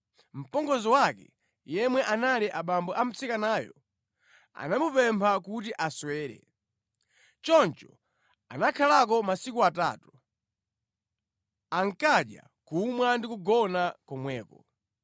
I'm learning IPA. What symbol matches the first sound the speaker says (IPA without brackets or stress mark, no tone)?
m̩